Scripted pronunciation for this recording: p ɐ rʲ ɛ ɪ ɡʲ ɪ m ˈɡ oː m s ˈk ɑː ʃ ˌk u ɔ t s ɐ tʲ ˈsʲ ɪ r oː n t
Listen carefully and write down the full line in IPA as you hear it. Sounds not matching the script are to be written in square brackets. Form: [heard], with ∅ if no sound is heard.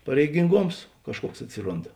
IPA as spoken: p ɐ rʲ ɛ ɪ ɡʲ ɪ [ŋ] ˈɡ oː m s ˈk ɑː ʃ ˌk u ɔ [k] s ɐ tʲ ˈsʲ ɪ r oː n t